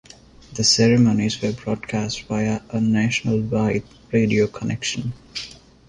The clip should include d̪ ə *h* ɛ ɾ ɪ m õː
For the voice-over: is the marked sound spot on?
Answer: no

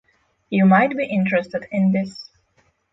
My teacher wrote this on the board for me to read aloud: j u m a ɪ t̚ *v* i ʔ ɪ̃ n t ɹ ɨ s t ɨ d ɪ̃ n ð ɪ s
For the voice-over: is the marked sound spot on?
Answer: no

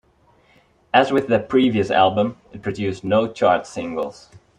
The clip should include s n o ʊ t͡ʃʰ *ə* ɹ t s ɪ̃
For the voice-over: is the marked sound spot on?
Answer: no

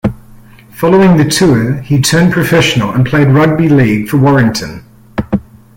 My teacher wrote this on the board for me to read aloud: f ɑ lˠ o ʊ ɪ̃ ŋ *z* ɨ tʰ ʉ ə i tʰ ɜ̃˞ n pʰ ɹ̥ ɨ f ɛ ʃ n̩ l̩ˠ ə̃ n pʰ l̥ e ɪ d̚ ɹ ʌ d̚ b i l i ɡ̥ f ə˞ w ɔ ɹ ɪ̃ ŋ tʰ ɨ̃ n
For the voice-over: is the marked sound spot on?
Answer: no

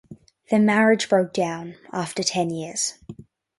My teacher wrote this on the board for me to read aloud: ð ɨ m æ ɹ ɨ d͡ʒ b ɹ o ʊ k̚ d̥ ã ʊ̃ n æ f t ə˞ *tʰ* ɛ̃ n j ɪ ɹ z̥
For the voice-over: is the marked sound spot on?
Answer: yes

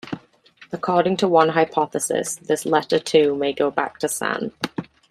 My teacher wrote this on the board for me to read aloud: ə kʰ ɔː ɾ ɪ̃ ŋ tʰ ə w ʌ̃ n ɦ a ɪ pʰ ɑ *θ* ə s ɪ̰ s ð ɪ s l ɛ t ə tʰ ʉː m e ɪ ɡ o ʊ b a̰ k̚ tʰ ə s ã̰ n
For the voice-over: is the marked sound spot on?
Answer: yes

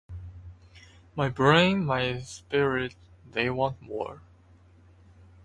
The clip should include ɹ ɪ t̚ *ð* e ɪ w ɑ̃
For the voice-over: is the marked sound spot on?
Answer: yes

